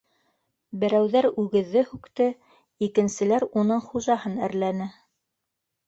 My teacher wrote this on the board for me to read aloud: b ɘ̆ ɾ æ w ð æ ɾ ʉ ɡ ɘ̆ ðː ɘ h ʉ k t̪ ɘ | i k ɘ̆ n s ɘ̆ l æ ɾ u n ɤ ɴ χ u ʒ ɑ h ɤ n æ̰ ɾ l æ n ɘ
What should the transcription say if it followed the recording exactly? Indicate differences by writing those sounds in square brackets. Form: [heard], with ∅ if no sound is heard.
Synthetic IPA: b ɘ̆ ɾ æ w ð æ ɾ ʉ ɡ ɘ̆ ðː ɘ h ʉ k t̪ ɘ | i k ɘ̆ n s ɘ̆ l æ ɾ u n ɤ ɴ χ u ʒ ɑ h ɤ n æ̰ ɾ l æ n ɘ